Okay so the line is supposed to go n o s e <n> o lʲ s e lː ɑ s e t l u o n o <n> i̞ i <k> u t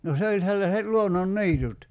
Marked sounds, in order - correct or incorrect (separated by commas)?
incorrect, incorrect, incorrect